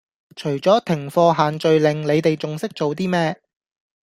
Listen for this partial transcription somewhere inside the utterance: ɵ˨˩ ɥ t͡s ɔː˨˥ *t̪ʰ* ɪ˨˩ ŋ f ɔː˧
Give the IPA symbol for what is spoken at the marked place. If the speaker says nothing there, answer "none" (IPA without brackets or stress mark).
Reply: t̪ʰ